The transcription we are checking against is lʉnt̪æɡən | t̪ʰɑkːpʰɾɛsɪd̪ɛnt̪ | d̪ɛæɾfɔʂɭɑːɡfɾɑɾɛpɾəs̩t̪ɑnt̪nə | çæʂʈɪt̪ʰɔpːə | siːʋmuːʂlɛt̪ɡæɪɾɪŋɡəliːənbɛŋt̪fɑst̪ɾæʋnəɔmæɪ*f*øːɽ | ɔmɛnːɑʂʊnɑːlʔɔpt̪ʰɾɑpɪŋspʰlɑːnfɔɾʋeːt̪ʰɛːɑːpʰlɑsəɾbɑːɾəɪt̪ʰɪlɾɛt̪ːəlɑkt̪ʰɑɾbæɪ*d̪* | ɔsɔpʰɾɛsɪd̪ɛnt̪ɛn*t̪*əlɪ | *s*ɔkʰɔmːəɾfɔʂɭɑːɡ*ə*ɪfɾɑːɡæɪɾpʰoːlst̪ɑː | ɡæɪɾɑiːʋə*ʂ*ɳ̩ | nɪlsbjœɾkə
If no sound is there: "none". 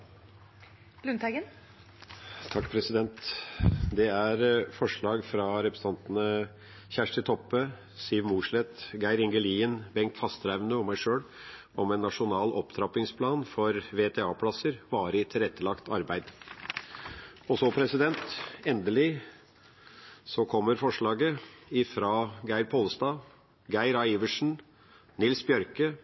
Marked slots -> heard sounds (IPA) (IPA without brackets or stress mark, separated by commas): ʂ, d̪, d̪, s, ə, ʂ